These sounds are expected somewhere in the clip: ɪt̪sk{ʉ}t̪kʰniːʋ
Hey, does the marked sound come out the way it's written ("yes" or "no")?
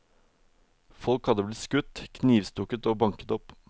yes